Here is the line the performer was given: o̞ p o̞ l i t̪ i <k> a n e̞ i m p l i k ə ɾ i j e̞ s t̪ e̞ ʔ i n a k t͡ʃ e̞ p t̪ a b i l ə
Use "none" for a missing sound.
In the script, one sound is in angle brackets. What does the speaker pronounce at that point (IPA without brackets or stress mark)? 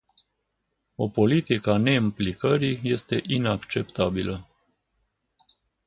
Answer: k